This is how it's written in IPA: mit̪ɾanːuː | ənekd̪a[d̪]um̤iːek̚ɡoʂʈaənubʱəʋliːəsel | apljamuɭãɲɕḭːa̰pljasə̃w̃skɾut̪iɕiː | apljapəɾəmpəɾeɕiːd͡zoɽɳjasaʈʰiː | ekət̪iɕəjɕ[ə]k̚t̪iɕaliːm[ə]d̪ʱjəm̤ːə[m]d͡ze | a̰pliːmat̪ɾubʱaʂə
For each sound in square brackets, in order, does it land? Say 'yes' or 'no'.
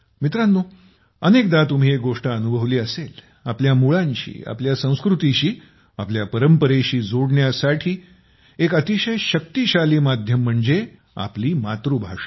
no, yes, no, no

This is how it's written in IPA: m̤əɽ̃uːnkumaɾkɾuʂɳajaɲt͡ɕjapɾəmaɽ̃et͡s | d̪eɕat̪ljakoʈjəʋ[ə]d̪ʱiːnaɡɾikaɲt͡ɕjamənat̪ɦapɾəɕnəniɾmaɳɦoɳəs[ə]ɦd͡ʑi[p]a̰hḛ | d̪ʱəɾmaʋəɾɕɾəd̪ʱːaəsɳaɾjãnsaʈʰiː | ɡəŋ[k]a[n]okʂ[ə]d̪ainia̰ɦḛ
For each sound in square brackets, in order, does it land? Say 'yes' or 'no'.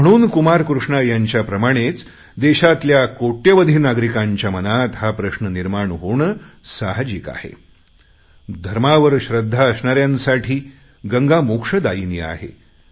yes, no, no, no, no, yes

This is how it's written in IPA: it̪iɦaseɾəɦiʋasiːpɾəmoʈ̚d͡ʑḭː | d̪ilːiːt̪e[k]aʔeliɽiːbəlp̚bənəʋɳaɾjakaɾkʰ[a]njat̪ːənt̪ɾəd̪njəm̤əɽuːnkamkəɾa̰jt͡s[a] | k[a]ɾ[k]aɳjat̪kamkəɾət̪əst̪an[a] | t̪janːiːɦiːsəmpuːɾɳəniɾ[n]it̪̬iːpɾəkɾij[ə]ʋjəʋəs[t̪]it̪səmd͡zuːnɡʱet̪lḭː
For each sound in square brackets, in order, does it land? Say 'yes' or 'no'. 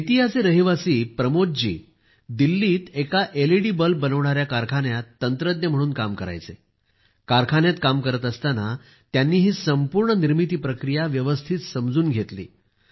yes, yes, no, yes, no, yes, no, no, no

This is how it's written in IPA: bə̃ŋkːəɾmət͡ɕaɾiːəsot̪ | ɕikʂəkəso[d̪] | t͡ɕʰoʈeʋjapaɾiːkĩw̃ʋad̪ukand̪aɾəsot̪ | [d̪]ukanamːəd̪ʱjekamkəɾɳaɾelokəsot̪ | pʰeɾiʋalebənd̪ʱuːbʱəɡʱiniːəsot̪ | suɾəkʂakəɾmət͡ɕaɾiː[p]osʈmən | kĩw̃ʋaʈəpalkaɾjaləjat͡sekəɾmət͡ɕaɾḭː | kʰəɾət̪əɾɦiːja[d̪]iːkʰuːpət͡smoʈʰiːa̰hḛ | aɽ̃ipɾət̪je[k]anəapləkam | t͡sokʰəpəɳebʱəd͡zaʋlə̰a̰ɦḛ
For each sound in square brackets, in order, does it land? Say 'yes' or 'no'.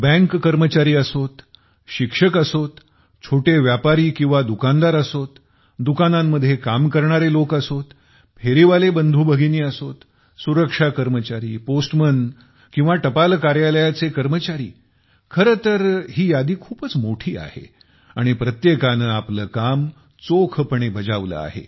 no, yes, yes, yes, yes

